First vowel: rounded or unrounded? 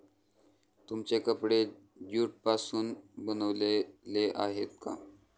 rounded